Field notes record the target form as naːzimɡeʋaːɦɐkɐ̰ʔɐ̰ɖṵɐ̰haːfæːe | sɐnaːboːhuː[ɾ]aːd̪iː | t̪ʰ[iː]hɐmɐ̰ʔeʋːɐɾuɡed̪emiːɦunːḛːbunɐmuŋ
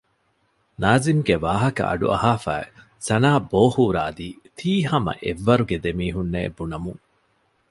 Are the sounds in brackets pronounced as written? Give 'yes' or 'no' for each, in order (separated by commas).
yes, yes